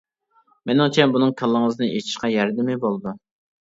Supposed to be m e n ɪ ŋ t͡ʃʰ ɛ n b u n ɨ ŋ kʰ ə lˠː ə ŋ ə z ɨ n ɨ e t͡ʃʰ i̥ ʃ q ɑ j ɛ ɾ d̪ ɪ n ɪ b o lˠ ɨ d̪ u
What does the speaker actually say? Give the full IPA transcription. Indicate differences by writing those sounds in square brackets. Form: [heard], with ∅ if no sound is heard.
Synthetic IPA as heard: m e n ɪ ŋ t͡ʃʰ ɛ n b u n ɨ ŋ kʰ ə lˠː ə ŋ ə z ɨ n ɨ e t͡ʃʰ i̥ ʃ q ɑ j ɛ ɾ d̪ ɪ [m] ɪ b o lˠ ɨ d̪ u